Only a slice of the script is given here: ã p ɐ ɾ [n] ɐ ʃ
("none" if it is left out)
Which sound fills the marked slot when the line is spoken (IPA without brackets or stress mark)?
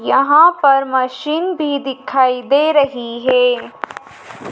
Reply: m